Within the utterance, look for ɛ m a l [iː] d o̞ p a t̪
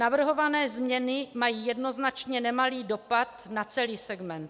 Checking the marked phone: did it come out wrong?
no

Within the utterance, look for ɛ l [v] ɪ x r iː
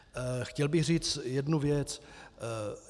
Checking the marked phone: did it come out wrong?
yes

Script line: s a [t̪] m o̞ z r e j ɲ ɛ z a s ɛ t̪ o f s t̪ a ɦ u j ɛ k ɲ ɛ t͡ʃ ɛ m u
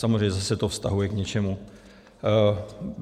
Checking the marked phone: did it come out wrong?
yes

